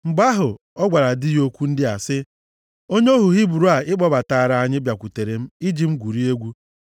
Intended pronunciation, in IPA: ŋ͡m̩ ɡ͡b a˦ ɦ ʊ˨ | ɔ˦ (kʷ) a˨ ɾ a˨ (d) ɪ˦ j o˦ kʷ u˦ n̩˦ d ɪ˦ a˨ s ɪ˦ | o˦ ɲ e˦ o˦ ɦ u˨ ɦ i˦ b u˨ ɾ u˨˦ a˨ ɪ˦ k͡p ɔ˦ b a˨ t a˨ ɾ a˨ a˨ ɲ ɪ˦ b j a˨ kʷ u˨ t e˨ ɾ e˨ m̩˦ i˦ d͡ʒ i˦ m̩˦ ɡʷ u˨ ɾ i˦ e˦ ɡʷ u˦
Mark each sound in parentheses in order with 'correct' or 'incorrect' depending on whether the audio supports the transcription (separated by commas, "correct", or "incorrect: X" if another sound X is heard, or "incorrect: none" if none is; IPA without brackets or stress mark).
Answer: incorrect: ɡʷ, correct